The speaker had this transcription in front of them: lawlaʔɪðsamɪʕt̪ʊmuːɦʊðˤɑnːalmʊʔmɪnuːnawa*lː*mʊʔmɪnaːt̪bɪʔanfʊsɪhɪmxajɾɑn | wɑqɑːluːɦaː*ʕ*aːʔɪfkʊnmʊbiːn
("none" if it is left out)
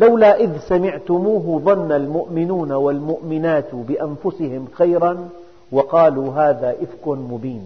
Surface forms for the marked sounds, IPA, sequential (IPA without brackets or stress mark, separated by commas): l, ð